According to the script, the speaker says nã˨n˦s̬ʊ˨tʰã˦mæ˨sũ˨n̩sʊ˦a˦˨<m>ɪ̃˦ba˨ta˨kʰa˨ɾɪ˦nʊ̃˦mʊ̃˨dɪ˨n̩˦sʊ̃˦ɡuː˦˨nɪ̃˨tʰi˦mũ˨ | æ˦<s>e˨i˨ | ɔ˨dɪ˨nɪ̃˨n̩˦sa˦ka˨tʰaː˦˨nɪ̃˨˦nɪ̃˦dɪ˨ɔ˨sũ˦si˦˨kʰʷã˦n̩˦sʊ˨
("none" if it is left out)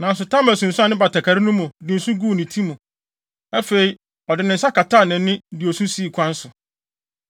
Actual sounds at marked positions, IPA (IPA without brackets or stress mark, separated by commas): n, f